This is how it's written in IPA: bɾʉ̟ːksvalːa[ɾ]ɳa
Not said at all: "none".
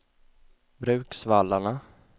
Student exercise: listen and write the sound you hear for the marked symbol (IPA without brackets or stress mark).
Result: none